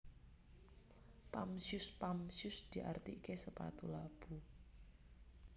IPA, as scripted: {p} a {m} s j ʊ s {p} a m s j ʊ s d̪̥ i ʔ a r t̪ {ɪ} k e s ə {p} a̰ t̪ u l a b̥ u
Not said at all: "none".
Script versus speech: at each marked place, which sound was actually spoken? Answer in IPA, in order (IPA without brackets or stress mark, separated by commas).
p, m, p, i, p